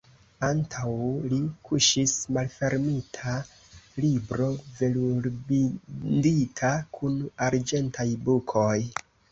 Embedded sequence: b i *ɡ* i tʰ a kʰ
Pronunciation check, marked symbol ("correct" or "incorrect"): incorrect